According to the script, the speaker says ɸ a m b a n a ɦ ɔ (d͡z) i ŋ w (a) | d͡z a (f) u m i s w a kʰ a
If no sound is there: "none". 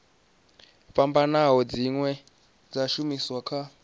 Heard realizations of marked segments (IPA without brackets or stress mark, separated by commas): d͡z, ɛ, ʃ